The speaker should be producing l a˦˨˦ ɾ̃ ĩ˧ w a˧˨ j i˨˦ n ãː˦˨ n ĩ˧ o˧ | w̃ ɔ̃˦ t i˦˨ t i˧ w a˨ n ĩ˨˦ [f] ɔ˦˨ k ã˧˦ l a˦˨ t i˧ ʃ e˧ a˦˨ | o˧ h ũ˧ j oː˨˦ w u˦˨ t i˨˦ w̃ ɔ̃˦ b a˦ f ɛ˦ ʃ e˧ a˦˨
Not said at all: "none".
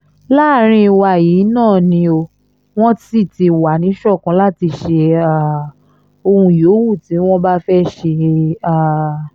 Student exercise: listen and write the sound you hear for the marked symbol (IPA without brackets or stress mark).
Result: ʃ